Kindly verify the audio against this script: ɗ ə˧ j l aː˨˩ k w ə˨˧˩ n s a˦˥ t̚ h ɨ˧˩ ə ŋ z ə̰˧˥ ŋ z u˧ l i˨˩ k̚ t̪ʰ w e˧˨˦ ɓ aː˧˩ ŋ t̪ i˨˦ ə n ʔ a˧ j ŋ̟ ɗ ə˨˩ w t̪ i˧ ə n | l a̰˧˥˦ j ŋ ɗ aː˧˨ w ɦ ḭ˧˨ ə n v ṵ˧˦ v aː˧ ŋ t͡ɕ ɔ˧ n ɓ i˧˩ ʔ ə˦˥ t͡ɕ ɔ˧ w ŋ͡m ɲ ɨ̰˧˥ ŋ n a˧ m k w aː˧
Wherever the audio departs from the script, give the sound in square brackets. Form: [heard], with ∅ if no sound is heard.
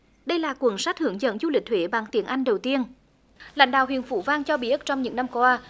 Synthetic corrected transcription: ɗ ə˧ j l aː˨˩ k w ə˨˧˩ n s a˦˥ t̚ h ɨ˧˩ ə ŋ z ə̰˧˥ ŋ z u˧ l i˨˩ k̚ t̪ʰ w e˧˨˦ ɓ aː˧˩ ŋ t̪ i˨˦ ə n ʔ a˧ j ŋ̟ ɗ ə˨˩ w t̪ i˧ ə n | l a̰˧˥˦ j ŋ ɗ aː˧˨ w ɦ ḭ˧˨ ə n [f] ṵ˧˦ v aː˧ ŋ t͡ɕ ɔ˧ [∅] ɓ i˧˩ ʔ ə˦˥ t͡ɕ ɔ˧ w ŋ͡m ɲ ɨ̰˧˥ ŋ n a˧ m k w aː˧